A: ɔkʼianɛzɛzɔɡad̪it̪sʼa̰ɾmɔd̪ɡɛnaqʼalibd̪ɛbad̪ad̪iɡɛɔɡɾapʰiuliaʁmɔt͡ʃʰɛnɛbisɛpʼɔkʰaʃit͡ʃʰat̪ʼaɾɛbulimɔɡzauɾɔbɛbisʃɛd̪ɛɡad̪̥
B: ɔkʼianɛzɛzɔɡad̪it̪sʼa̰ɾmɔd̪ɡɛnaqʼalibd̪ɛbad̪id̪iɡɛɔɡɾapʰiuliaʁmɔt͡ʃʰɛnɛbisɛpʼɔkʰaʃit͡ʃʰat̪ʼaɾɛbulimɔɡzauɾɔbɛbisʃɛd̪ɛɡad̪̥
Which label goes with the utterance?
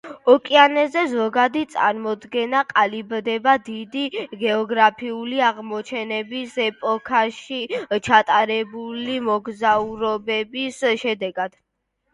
B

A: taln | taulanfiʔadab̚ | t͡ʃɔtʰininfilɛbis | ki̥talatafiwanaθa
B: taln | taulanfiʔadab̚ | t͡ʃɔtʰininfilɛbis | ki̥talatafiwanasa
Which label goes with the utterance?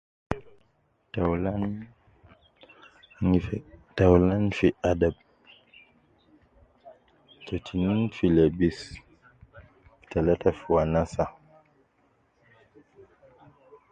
B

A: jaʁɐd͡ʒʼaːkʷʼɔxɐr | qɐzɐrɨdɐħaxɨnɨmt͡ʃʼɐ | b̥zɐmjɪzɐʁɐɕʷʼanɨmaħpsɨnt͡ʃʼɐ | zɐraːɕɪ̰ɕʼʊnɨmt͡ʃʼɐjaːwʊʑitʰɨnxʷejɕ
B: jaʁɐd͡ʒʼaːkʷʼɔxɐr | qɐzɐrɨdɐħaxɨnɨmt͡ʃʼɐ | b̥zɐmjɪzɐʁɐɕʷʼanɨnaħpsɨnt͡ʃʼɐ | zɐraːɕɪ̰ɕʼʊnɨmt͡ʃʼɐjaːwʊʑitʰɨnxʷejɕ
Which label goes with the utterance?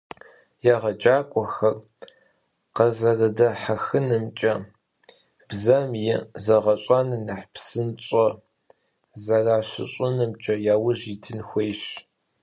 B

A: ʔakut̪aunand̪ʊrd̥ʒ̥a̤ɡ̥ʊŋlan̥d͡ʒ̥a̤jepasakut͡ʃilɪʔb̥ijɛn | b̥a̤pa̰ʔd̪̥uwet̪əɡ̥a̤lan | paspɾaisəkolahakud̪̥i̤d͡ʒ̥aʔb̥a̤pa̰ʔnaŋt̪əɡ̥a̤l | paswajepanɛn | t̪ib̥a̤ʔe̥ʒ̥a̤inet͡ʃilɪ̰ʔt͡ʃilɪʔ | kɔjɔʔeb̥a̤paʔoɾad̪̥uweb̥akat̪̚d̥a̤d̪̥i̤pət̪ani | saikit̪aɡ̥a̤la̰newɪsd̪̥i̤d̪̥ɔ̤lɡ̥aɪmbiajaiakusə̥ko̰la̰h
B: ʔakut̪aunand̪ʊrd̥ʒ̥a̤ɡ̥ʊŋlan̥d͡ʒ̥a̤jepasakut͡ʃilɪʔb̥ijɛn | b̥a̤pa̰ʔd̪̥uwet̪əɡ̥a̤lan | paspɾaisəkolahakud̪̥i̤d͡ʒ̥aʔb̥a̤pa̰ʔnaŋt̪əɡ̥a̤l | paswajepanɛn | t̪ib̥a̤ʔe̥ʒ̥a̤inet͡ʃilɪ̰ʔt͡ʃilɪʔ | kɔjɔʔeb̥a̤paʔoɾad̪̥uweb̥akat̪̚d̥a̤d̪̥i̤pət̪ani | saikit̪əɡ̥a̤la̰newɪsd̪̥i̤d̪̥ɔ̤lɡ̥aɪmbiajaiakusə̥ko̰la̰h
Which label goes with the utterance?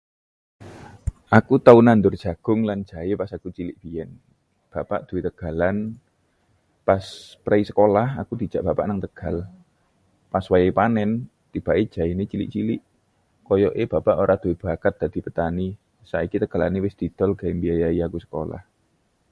B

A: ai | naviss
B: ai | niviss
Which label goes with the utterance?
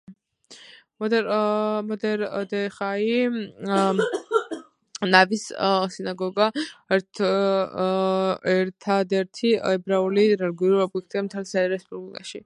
A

